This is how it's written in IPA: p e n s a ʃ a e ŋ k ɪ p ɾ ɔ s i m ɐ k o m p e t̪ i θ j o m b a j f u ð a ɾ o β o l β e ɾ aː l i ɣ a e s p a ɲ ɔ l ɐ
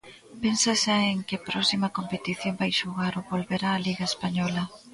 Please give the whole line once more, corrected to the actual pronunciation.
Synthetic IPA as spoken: p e n s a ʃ a e ŋ k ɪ p ɾ ɔ s i m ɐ k o m p e t̪ i θ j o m b a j ʃ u ɣ a ɾ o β o l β e ɾ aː l i ɣ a e s p a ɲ ɔ l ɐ